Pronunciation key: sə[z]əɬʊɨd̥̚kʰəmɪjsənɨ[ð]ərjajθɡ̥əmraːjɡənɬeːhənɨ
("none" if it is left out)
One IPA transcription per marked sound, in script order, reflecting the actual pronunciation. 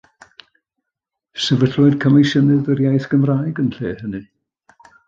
v, ð

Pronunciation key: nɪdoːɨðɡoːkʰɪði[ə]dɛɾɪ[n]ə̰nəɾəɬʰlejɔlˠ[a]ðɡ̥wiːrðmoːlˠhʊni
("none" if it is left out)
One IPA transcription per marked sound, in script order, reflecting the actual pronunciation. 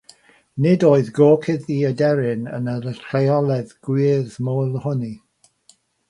ə, n, ɛ

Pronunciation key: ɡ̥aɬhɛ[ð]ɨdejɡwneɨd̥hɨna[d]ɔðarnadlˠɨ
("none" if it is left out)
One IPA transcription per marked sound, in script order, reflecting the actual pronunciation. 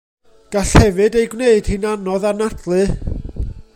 v, n

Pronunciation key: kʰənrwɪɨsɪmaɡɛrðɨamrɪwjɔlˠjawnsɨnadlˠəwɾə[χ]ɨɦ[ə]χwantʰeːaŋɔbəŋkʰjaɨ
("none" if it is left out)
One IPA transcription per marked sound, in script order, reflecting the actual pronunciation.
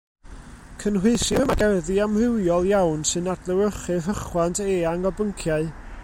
χ, ə

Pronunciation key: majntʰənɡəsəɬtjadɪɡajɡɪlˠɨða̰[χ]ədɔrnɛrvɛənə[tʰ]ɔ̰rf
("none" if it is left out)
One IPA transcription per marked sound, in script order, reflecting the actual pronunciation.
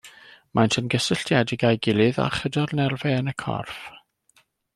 χ, kʰ

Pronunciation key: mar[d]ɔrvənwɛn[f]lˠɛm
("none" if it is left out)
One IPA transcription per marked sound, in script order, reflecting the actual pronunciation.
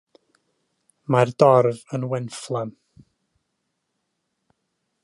d, f

